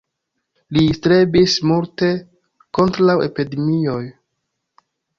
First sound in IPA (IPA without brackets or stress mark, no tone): l